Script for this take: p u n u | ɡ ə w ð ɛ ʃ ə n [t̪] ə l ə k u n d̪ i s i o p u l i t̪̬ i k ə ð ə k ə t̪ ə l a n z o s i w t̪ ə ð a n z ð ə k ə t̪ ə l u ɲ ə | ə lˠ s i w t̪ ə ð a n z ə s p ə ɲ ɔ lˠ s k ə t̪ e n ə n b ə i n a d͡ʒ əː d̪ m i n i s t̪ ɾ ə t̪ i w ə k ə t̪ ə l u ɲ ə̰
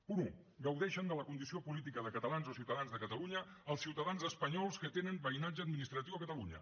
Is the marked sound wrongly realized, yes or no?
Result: yes